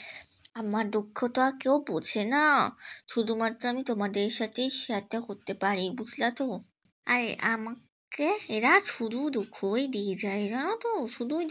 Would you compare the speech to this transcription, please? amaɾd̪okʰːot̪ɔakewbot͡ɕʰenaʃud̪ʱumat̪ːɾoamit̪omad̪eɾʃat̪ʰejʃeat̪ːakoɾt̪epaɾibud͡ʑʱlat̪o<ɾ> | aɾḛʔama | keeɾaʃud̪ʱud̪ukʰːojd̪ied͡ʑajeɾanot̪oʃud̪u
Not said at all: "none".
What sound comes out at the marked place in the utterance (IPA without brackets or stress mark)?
none